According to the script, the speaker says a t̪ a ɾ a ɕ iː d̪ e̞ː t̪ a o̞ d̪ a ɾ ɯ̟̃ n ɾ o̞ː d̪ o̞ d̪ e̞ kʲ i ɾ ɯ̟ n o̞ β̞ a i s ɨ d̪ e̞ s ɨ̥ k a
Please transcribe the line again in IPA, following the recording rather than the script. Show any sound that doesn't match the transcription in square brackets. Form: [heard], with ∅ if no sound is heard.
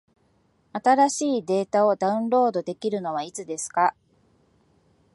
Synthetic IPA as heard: a t̪ a ɾ a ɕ iː d̪ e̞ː t̪ a o̞ d̪ a [∅] ɯ̟̃ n ɾ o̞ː d̪ o̞ d̪ e̞ kʲ i ɾ ɯ̟ n o̞ β̞ a i [t͡s] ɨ d̪ e̞ s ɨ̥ k a